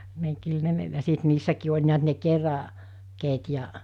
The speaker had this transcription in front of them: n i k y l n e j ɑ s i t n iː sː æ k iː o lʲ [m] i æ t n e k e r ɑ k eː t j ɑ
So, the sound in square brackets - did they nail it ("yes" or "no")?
no